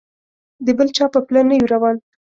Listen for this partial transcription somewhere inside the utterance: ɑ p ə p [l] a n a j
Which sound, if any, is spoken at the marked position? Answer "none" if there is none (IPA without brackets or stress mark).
l